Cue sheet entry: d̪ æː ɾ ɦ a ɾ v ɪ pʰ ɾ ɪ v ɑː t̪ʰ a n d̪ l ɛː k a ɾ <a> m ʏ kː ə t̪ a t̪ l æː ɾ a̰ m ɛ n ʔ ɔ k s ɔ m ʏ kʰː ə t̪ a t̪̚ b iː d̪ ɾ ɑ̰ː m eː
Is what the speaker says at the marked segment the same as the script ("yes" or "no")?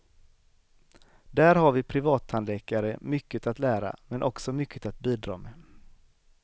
no